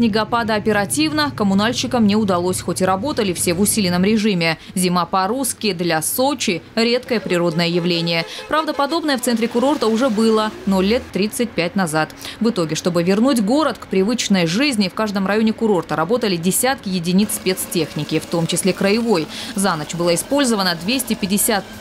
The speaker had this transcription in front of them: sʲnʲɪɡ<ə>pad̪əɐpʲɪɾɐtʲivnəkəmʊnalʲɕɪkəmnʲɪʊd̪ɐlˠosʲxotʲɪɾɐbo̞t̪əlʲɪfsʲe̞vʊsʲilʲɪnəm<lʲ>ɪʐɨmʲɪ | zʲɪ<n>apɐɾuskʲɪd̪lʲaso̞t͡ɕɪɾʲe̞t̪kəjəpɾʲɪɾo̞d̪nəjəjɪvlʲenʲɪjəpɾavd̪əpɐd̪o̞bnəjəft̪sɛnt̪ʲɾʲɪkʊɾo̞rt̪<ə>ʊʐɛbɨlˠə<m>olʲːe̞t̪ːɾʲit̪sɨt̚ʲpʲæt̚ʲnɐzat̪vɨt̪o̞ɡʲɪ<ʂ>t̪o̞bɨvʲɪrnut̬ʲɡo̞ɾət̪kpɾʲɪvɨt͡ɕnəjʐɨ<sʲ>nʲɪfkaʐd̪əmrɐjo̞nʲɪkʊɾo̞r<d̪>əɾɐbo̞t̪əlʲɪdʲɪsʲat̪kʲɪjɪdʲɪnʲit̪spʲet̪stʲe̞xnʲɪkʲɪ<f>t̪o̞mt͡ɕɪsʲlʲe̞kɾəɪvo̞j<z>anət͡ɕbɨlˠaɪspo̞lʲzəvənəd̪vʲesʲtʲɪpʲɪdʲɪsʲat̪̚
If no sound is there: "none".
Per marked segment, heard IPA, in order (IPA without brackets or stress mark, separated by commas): ɐ, ɾʲ, m, ə, n, ʂ, zʲ, t̪, f, z